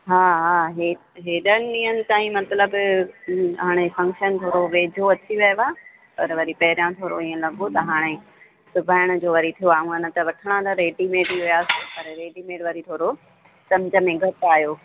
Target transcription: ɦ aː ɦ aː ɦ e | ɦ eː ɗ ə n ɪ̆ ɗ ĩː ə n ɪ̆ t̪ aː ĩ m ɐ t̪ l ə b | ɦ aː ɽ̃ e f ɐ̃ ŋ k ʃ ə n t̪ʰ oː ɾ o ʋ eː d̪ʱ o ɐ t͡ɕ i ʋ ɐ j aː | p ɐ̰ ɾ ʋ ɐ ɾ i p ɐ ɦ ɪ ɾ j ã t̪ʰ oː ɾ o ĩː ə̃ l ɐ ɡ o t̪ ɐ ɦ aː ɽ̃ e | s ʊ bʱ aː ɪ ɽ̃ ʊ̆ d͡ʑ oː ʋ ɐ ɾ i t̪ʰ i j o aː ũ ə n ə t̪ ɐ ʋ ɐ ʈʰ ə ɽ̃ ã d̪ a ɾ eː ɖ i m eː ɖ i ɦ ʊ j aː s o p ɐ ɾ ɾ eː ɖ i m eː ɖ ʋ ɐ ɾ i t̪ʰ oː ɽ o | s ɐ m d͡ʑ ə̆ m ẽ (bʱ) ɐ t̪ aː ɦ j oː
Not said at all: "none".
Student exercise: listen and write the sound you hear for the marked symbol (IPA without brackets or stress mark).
ɡʱ